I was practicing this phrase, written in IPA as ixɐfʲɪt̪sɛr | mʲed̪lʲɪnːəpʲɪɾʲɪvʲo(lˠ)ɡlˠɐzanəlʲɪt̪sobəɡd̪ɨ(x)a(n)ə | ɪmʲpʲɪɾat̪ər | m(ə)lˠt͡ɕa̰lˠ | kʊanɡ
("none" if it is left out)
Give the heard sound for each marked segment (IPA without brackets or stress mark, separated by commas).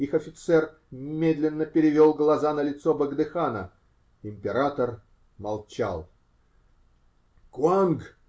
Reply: lˠ, x, n, ɐ